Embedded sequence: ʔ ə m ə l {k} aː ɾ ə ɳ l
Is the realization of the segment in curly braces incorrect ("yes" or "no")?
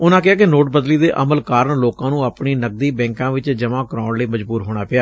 no